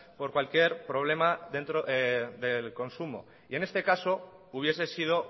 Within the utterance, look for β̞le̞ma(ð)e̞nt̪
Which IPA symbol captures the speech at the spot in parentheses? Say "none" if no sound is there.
ð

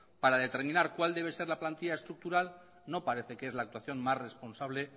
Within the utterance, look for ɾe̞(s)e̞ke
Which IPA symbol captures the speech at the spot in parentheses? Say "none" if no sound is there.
θ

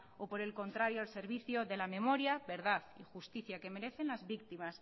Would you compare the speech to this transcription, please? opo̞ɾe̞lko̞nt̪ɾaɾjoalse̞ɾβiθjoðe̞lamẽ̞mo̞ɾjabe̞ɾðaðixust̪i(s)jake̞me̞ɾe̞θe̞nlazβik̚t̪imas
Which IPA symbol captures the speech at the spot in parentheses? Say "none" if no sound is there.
θ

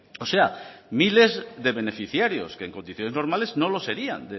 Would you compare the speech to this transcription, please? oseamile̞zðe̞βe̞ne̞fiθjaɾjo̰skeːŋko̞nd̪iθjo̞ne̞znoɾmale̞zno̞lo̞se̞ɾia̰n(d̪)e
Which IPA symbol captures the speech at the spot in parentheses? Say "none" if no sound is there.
d̪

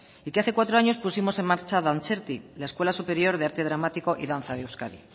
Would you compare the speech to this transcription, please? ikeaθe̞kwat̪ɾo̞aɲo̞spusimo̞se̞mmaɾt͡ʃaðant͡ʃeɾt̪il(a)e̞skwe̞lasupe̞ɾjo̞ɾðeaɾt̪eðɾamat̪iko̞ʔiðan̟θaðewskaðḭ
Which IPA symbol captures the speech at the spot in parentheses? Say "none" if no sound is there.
a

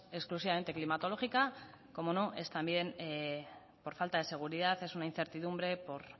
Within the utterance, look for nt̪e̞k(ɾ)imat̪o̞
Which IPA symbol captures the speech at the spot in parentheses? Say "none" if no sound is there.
l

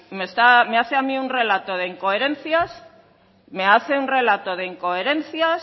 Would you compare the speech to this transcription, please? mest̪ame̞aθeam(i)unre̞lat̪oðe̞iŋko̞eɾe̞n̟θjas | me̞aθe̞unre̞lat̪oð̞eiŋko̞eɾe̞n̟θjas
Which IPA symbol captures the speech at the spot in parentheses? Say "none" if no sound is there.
i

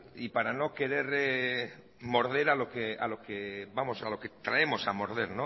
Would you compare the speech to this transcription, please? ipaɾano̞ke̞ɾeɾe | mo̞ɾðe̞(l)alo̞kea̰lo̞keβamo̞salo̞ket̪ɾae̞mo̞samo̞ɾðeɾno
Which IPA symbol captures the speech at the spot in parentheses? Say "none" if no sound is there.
ɾ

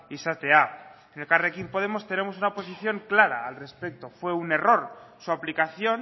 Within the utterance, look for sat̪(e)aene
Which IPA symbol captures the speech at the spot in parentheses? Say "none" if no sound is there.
e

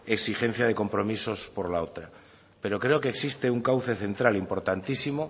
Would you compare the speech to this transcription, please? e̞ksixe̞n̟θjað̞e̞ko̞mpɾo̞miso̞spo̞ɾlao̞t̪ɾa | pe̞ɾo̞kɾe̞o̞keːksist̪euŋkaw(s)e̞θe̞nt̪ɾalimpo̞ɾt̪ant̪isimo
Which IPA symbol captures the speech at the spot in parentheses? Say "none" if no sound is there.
θ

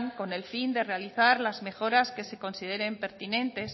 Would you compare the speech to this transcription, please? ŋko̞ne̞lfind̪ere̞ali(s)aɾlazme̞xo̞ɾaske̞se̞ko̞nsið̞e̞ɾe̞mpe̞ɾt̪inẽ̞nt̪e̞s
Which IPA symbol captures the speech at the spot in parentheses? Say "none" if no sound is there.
θ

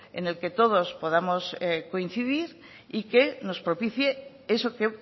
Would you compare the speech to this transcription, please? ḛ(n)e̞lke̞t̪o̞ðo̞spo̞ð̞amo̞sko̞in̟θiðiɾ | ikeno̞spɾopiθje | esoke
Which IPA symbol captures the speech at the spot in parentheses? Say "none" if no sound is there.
n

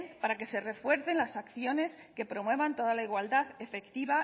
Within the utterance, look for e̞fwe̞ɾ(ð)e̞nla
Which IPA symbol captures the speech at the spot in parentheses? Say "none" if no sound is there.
θ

